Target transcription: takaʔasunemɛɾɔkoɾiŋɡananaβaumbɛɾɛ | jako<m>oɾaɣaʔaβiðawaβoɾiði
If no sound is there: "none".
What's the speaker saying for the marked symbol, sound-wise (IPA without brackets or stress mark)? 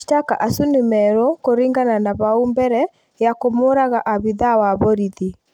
m